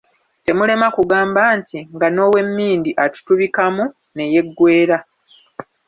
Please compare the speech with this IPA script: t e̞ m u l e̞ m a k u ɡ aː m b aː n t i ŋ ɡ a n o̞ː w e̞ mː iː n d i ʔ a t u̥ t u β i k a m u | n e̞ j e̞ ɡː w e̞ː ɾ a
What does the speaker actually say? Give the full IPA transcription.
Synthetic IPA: t e̞ m u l e̞ m a k u ɡ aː m b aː n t i ŋ ɡ a n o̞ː w e̞ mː iː n d i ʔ a t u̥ t u β i k a m u | n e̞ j e̞ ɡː w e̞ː ɾ a